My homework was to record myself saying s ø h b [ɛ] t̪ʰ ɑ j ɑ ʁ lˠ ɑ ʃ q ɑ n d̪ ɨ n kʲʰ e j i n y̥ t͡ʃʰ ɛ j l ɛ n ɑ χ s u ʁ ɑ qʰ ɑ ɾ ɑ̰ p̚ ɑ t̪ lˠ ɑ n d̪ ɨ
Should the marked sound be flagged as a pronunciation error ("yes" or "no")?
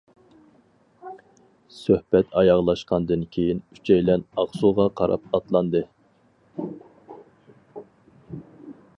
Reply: no